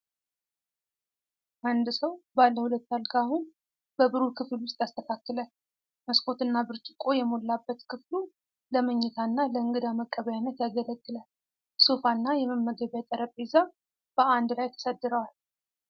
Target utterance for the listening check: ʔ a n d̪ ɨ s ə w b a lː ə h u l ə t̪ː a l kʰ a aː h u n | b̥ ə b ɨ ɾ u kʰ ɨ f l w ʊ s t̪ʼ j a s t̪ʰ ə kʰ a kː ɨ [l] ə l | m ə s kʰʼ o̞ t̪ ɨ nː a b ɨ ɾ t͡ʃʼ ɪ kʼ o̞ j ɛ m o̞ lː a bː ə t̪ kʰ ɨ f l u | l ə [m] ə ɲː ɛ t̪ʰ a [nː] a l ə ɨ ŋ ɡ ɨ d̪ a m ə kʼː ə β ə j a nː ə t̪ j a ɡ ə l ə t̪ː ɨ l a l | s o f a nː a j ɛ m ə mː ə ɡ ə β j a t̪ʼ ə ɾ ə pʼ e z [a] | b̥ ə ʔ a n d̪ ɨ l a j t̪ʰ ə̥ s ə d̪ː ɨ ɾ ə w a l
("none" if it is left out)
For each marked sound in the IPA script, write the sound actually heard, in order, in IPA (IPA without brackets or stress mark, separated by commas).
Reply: l, m, nː, a